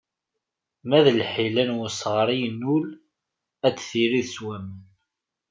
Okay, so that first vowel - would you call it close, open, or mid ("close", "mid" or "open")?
open